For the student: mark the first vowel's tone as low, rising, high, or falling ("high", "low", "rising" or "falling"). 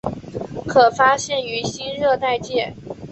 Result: low